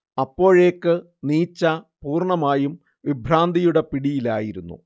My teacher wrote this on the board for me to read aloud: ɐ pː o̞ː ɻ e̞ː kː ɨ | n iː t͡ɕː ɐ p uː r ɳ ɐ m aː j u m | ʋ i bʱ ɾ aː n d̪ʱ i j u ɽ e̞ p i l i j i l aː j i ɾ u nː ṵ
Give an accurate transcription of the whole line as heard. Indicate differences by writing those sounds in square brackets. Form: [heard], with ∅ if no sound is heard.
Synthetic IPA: ɐ pː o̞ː ɻ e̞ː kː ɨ | n iː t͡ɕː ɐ p uː r ɳ ɐ m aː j u m | ʋ i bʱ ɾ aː n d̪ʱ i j u ɽ e̞ p i [ɽ] i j i l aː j i ɾ u nː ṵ